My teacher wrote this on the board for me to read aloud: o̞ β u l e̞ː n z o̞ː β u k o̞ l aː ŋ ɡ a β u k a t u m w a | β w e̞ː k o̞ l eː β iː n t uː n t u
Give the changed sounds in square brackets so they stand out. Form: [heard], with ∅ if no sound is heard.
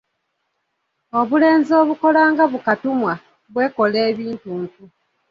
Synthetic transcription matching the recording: o̞ β u l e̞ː n z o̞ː β u k o̞ l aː ŋ ɡ a β u k a t u m w a | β w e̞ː k o̞ l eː β iː n t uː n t u